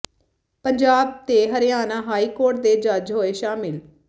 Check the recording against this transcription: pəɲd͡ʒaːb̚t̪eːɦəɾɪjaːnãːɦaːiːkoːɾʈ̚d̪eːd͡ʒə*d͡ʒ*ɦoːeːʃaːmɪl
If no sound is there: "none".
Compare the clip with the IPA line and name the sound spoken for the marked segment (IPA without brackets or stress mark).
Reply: d͡ʒ